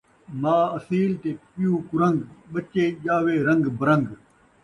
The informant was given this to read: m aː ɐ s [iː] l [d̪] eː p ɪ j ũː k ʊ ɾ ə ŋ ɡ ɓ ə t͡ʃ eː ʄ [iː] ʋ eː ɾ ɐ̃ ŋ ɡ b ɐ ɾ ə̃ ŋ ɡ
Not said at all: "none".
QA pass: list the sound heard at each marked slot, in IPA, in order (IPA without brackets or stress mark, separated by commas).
iː, t̪, aː